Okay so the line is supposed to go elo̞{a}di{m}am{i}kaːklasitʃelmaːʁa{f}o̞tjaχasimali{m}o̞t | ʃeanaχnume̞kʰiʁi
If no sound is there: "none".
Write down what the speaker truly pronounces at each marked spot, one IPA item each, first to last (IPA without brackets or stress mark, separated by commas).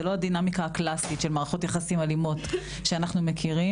a, n, i, χ, m